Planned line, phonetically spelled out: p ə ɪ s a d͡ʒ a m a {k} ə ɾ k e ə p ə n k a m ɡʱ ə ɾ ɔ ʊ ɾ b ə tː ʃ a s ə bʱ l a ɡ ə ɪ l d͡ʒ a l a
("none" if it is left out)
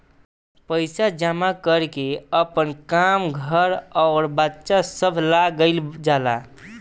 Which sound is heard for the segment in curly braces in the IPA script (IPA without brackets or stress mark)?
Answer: k